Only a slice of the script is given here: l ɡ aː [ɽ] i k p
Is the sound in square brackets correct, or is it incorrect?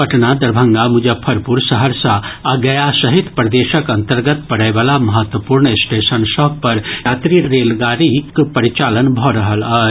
incorrect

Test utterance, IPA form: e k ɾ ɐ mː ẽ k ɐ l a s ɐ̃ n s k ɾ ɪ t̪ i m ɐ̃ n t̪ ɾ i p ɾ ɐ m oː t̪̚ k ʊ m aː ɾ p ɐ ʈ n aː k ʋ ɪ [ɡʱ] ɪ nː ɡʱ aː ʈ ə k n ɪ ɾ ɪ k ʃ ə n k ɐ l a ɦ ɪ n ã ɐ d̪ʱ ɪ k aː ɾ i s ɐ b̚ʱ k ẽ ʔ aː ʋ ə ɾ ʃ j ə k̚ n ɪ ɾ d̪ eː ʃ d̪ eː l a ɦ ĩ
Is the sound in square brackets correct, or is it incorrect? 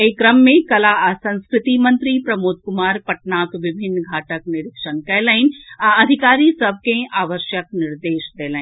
incorrect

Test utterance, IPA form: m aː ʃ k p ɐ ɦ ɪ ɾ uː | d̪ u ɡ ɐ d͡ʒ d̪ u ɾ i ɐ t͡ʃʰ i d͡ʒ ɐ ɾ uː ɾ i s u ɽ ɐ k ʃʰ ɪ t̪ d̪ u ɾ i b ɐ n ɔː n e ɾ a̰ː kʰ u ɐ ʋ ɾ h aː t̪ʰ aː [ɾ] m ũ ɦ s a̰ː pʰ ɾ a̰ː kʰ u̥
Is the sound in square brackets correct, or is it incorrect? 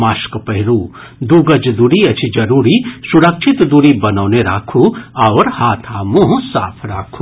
incorrect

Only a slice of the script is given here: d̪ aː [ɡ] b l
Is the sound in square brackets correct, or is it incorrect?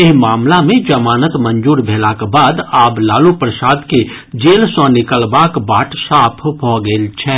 incorrect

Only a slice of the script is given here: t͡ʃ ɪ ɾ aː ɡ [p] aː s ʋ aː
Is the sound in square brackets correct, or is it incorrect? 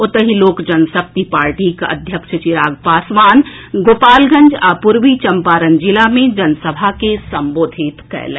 correct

